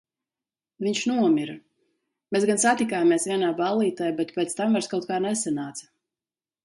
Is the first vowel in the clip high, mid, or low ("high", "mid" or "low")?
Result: high